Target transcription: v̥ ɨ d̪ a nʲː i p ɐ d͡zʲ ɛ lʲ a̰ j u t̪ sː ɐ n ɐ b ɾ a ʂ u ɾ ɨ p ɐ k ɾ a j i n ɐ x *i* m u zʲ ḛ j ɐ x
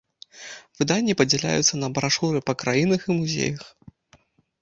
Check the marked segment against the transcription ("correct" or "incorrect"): correct